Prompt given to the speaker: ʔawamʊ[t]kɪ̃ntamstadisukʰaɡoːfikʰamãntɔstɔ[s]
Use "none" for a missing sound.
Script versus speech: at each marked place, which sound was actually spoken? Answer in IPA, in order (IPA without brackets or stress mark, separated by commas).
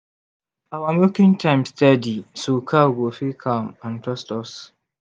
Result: none, s